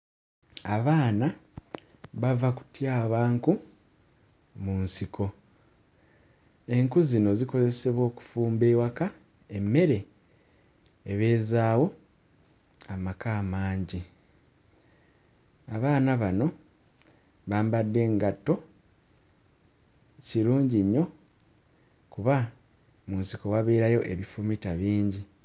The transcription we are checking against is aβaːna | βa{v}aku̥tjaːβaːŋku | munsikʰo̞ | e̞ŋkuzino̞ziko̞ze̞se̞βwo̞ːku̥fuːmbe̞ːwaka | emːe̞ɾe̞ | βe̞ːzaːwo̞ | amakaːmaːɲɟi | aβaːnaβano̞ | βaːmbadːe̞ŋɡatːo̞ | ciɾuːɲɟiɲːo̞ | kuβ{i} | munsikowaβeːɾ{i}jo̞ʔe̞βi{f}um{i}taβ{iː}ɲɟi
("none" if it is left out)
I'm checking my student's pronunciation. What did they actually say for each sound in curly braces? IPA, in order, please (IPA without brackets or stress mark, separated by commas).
v, a, a, f, i, iː